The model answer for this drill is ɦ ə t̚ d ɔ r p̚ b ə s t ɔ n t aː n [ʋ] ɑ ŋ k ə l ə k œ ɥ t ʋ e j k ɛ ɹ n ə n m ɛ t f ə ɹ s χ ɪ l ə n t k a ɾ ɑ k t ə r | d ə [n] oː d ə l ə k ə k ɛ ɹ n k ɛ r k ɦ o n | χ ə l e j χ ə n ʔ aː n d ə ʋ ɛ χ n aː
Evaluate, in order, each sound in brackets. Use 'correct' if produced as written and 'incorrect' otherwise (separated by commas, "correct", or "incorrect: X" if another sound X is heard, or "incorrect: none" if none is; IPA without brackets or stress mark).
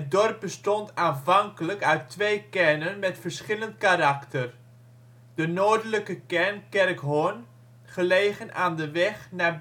incorrect: v, correct